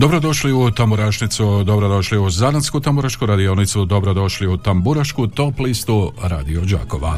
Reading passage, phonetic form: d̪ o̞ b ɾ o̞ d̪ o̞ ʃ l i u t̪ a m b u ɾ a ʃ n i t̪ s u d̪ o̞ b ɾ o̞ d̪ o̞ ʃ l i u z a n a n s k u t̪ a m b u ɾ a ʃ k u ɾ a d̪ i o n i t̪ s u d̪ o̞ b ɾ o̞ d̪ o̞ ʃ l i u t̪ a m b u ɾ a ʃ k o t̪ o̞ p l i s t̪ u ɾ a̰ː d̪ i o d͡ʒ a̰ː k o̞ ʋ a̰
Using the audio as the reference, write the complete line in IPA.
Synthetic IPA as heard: d̪ o̞ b ɾ o̞ d̪ o̞ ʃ l i u t̪ a m b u ɾ a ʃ n i t̪ s u d̪ o̞ b ɾ o̞ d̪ o̞ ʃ l i u z a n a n s k u t̪ a m b u ɾ a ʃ k u ɾ a d̪ i o n i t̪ s u d̪ o̞ b ɾ o̞ d̪ o̞ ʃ l i u t̪ a m b u ɾ a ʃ k u t̪ o̞ p l i s t̪ u ɾ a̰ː d̪ i o d͡ʒ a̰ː k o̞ ʋ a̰